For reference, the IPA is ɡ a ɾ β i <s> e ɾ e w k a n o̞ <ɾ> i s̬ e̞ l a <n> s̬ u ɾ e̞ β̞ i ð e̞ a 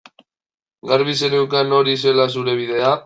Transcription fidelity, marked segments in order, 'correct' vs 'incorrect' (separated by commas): correct, correct, incorrect